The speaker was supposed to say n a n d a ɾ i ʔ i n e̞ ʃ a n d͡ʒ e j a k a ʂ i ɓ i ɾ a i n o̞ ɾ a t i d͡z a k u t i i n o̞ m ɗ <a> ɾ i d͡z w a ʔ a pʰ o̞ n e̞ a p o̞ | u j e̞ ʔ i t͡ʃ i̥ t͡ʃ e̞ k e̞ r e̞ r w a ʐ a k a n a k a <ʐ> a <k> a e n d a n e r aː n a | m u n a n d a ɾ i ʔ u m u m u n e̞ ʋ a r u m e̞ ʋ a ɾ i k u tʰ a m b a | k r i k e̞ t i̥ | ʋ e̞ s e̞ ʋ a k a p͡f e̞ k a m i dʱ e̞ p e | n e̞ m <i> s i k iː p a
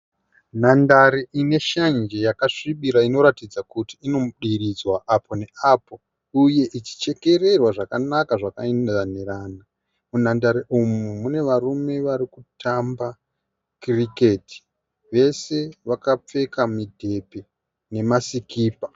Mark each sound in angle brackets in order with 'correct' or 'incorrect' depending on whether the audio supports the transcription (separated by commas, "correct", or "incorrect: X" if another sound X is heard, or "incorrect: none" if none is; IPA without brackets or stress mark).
incorrect: i, correct, correct, incorrect: a